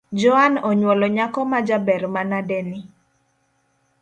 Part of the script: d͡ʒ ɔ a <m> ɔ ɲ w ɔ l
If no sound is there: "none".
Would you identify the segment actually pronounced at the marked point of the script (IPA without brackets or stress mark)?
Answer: n